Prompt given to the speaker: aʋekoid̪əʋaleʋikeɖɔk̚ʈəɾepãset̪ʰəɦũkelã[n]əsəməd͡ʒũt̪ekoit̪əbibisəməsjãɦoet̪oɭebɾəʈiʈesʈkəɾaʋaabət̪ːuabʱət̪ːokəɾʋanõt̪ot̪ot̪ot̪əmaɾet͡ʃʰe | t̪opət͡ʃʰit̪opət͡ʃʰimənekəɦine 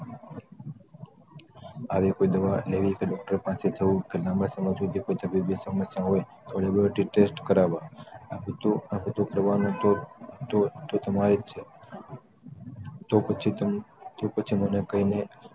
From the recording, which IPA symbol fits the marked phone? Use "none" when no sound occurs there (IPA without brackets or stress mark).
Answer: m